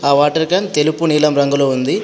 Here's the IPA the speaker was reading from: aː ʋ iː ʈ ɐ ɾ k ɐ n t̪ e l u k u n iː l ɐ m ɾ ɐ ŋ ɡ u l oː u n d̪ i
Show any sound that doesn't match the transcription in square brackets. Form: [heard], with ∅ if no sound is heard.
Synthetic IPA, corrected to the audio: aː ʋ [aː] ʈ ɐ ɾ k ɐ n t̪ e l u [p] u n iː l ɐ m ɾ ɐ ŋ ɡ u l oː u n d̪ i